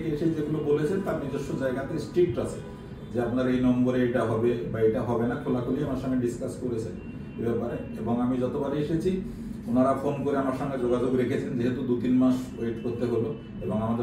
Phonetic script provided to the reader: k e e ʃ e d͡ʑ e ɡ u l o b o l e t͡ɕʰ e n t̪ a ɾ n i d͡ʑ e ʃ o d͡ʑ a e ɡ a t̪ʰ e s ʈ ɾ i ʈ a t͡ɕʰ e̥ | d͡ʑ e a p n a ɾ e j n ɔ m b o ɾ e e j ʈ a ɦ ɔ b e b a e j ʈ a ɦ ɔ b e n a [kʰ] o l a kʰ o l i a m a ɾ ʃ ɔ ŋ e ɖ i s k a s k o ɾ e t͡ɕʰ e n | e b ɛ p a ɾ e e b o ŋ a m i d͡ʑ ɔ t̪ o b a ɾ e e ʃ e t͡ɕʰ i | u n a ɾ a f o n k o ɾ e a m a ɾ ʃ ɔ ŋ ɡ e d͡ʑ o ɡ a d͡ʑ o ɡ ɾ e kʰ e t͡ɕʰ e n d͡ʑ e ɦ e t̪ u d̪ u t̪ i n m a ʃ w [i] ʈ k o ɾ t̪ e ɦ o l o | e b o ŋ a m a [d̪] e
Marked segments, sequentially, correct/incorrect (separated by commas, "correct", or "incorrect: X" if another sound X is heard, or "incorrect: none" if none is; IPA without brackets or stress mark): correct, incorrect: e, correct